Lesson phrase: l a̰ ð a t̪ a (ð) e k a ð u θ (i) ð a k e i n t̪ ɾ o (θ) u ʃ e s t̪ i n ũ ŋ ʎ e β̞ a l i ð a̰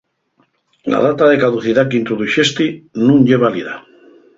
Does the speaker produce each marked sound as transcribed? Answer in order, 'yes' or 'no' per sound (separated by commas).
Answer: yes, yes, no